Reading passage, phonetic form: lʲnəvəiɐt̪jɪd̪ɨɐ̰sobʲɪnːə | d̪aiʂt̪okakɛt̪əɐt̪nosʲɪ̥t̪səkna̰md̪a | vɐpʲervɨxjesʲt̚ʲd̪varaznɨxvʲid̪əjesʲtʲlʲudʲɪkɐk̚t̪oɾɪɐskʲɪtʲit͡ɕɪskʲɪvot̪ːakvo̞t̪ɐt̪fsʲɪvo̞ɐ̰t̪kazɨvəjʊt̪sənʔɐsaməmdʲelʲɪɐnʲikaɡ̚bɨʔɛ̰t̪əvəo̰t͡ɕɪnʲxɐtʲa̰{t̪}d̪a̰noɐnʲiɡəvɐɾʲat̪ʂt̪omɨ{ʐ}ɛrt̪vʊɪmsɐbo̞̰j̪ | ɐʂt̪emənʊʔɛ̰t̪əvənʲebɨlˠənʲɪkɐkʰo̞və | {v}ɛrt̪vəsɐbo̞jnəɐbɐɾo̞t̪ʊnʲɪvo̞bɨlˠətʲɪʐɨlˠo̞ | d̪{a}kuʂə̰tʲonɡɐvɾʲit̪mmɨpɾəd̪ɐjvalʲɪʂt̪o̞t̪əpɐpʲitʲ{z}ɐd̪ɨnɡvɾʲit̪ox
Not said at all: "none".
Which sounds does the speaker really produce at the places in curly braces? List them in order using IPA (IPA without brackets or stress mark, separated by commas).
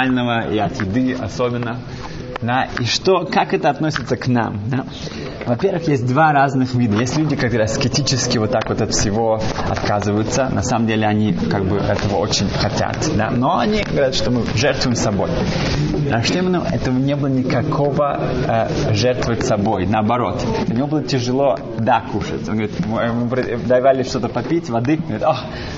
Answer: t̪, ʐ, ʐ, a, v